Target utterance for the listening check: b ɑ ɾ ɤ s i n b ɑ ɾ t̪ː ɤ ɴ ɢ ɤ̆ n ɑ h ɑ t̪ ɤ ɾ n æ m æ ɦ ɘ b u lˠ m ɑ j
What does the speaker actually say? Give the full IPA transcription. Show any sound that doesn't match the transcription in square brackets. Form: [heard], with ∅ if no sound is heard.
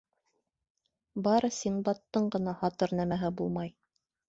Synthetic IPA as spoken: b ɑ ɾ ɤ s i n b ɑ [∅] t̪ː ɤ ɴ ɢ ɤ̆ n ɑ h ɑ t̪ ɤ ɾ n æ m æ ɦ ɘ b u lˠ m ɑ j